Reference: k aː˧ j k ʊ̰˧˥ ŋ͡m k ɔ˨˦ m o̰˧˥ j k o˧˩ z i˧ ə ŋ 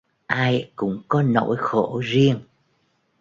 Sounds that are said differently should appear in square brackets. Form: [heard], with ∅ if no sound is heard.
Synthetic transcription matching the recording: [ʔ] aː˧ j k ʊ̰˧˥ ŋ͡m k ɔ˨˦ [n] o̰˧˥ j [x] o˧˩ z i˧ ə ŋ

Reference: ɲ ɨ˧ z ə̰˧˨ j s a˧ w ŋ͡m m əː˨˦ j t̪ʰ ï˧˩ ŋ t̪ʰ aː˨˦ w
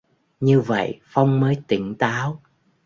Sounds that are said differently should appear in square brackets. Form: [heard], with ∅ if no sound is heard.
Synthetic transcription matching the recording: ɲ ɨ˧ [v] ə̰˧˨ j [f] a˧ w ŋ͡m m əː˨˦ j [t̪] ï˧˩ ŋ [t̪] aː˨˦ w

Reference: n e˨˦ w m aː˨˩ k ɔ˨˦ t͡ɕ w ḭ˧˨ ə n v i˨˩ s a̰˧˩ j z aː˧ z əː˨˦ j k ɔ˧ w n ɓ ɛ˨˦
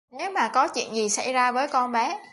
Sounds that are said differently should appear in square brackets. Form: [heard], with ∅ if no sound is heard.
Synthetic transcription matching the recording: n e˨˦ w m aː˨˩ k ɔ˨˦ t͡ɕ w ḭ˧˨ ə n [z] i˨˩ s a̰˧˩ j z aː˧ [v] əː˨˦ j k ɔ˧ [∅] n ɓ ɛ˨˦

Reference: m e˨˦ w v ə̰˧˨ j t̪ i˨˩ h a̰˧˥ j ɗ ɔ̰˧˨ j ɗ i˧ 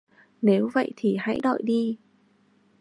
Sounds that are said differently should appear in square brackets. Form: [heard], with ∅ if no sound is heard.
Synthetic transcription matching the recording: [n] e˨˦ w v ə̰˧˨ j [t̪ʰ] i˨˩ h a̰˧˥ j ɗ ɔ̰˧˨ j ɗ i˧

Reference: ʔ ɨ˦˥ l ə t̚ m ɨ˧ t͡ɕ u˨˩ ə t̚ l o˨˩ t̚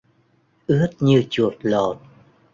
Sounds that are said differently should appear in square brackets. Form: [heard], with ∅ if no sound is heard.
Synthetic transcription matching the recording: ʔ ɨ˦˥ [∅] ə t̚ [ɲ] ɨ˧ t͡ɕ u˨˩ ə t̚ l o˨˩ t̚

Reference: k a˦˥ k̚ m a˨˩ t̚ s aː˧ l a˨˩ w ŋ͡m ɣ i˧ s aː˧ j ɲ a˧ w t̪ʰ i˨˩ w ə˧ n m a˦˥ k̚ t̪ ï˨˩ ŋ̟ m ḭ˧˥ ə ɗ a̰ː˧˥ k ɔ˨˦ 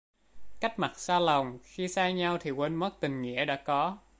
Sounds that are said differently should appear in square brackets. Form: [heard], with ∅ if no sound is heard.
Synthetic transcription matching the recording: k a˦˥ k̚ m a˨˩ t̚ s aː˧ l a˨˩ w ŋ͡m [x] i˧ s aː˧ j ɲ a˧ w t̪ʰ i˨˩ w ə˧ n m [ə˦˥] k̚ t̪ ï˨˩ ŋ̟ [ŋ] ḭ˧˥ ə ɗ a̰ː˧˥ k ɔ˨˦

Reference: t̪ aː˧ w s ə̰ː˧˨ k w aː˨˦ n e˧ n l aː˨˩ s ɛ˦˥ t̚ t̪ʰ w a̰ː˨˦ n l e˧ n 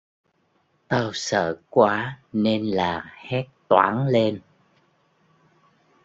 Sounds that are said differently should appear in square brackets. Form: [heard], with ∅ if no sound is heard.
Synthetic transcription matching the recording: t̪ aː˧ w s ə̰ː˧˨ k w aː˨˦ n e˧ n l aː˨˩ [h] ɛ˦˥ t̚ [t̪] w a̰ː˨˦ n l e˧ n

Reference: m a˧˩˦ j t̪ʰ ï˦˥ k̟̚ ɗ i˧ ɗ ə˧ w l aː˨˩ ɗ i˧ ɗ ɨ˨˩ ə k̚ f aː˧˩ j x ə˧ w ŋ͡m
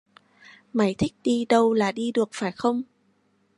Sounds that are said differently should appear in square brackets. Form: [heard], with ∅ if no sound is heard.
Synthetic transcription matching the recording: m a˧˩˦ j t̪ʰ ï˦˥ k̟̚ ɗ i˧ ɗ ə˧ w l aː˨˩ ɗ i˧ ɗ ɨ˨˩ ə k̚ f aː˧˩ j x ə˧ w ŋ͡m

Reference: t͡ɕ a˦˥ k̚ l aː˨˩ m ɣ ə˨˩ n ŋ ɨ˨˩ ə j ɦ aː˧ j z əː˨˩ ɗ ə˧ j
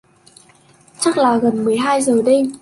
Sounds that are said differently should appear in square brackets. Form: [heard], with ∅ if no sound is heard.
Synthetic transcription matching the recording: t͡ɕ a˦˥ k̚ l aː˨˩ [∅] ɣ ə˨˩ n [m] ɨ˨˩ ə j ɦ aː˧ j z əː˨˩ ɗ ə˧ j

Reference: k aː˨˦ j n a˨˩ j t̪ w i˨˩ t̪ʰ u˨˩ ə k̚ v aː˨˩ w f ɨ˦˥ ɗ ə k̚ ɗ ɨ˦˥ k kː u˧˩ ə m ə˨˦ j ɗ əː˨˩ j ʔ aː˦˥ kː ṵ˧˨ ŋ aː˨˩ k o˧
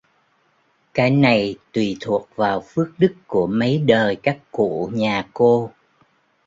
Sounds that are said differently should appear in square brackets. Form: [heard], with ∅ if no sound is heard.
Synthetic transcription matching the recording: k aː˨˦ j n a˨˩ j t̪ w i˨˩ t̪ʰ u˨˩ ə k̚ v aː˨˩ w f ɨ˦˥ [∅] ə k̚ ɗ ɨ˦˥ k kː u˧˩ ə m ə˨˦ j ɗ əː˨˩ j [k] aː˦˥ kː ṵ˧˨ [ɲ] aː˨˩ k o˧

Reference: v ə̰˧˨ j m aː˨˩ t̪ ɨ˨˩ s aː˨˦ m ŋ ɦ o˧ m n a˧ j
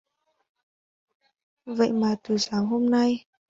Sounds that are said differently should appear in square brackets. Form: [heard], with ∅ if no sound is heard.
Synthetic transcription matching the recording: v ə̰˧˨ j m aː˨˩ t̪ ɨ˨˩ s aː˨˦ [∅] ŋ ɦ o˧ m n a˧ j

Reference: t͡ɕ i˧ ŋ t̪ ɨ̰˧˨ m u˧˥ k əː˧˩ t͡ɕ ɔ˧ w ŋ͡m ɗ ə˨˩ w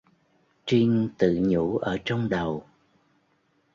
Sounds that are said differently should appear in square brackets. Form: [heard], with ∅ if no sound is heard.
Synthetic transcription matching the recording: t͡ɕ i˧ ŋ t̪ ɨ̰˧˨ [ɲ] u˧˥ [ʔ] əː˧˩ t͡ɕ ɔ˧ w ŋ͡m ɗ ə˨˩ w

